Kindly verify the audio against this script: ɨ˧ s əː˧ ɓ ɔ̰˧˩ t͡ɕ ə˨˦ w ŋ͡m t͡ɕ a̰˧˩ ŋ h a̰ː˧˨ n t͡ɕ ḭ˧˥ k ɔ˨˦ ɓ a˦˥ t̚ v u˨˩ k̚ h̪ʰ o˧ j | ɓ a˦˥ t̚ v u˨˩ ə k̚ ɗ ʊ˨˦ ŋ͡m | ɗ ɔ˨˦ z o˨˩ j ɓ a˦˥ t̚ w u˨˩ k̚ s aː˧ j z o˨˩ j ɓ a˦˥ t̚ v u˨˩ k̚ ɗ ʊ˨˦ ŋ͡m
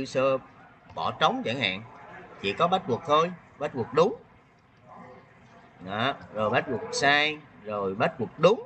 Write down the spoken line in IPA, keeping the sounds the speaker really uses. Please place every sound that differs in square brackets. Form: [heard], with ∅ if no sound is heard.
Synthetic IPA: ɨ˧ s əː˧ ɓ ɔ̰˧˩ t͡ɕ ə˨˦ w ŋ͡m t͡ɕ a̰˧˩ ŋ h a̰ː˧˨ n t͡ɕ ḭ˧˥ k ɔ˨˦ ɓ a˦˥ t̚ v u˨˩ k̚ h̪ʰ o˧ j | ɓ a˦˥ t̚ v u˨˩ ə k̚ ɗ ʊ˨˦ ŋ͡m | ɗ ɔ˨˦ z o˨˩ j ɓ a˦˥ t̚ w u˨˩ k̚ s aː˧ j z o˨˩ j ɓ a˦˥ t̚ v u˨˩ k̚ ɗ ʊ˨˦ ŋ͡m